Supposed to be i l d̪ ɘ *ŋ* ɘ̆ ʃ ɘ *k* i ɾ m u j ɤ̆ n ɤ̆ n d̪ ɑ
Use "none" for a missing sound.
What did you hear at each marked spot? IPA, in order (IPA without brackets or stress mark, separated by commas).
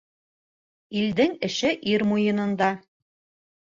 ŋ, ʔ